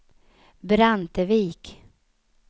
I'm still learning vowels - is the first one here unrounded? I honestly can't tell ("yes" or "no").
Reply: yes